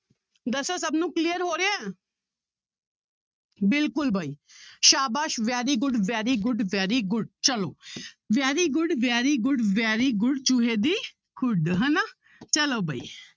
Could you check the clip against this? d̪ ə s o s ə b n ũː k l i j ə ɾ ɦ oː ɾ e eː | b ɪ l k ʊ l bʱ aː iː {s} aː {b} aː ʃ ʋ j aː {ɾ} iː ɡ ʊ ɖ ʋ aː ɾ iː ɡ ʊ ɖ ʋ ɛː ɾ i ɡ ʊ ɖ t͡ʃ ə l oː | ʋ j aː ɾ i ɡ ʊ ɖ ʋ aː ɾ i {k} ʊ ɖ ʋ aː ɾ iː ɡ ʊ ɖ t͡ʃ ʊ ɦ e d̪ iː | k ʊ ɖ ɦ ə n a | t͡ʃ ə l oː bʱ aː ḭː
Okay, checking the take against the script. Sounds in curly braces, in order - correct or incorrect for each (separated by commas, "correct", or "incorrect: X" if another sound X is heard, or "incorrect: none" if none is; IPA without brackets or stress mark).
incorrect: ʃ, correct, correct, incorrect: ɡ